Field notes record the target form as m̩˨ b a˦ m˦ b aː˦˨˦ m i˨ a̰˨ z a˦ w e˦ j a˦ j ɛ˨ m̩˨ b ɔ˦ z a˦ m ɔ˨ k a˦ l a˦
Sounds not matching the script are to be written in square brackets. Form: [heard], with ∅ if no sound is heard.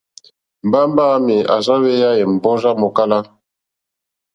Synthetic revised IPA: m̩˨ b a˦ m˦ b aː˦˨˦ m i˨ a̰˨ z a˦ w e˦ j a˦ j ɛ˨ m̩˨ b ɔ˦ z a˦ m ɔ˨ k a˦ l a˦